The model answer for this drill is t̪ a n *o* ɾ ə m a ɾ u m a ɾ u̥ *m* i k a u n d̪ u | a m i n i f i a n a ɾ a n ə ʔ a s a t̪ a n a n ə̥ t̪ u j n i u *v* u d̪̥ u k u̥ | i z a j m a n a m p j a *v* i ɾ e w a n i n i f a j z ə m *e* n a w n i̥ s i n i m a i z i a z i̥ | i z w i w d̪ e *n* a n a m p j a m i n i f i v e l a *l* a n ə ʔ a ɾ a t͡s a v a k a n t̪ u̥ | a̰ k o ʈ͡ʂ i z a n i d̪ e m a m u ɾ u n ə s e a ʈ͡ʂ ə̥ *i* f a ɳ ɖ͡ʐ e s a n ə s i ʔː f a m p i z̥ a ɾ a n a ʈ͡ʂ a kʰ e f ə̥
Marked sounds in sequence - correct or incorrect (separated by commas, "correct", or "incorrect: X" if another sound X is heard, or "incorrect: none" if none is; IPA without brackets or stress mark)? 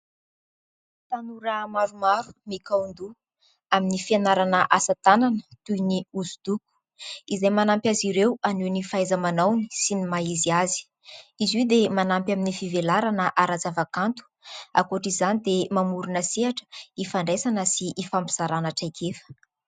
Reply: incorrect: u, correct, incorrect: z, incorrect: z, incorrect: a, incorrect: m, incorrect: ɾ, correct